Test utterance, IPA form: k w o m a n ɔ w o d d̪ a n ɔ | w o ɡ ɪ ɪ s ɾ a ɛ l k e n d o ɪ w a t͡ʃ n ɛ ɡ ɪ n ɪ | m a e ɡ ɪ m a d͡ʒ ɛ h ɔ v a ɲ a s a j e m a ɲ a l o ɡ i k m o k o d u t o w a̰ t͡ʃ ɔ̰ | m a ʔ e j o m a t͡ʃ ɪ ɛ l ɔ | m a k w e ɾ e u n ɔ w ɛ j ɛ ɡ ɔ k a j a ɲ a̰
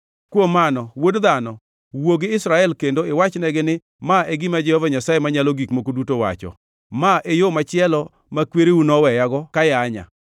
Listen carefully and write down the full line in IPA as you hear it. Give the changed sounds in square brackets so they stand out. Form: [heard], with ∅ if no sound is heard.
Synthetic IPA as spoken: k w o m a n ɔ w o d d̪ a n ɔ | w o ɡ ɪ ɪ s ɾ a ɛ l k e n d o ɪ w a t͡ʃ n ɛ ɡ ɪ n ɪ | m a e ɡ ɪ m a d͡ʒ ɛ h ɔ v a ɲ a s a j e m a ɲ a l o ɡ i k m o k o d u t o w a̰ t͡ʃ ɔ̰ | m a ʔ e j o m a t͡ʃ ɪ ɛ l ɔ | m a k w e ɾ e u n ɔ w ɛ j [a] ɡ ɔ k a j a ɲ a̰